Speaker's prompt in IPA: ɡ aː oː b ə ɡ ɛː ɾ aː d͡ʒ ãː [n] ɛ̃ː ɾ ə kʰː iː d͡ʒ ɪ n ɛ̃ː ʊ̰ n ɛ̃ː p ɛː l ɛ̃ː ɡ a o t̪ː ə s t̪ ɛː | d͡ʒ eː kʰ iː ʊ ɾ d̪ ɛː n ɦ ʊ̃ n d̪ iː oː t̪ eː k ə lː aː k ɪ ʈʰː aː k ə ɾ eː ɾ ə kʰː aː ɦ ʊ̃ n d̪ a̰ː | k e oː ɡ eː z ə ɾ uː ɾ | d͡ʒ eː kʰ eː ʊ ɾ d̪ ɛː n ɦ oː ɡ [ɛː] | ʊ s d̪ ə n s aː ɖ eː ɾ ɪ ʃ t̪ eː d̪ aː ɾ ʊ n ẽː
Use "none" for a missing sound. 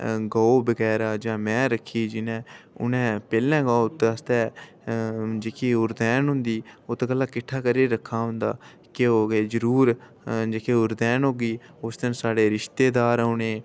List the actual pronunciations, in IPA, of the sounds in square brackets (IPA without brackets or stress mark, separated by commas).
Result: m, iː